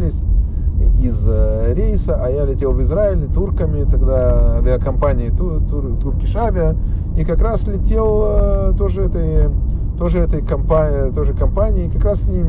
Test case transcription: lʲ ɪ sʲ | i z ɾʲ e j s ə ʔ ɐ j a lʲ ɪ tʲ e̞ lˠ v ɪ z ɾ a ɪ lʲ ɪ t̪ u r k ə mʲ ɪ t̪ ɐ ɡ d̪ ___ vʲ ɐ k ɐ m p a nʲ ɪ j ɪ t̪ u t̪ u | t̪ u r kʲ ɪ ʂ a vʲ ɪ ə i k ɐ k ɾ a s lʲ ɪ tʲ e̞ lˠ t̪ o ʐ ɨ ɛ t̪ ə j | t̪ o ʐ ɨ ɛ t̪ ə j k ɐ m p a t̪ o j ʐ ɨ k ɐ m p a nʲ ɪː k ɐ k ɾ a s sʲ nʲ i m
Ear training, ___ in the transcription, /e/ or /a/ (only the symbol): a